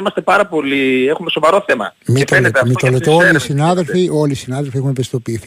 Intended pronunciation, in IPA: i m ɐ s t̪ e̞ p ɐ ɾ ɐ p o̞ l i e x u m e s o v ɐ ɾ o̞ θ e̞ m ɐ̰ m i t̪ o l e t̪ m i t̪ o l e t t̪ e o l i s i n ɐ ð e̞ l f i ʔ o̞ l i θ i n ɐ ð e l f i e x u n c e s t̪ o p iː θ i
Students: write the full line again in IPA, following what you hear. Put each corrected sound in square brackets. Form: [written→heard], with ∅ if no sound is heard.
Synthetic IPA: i m ɐ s t̪ e̞ p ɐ ɾ ɐ p o̞ l i e x u m e s o v ɐ ɾ o̞ θ e̞ m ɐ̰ m i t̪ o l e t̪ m i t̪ o l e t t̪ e o l i s i n ɐ ð e̞ l f i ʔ o̞ l i [θ→s] i n ɐ ð e l f i e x u n [c→p] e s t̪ o p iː θ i